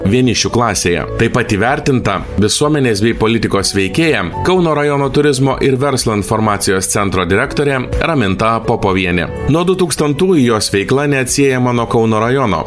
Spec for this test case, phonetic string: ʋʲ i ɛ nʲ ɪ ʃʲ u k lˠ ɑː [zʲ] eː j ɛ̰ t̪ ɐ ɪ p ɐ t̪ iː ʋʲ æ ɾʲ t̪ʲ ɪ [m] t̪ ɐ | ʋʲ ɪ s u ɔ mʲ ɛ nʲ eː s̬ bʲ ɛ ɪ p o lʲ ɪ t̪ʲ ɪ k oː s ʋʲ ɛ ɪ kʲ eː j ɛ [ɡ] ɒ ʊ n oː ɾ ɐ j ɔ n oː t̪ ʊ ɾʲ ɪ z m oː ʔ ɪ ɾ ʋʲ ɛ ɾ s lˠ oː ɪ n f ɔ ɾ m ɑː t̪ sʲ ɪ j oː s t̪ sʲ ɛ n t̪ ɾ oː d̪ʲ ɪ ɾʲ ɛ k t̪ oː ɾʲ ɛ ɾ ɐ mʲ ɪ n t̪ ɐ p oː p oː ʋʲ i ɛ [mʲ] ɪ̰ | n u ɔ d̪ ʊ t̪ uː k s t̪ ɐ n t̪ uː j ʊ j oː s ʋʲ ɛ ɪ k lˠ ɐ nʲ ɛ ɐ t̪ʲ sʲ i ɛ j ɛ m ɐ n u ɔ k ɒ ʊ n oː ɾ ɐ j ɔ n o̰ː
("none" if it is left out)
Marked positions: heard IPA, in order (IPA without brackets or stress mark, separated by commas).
sʲ, n, k, nʲ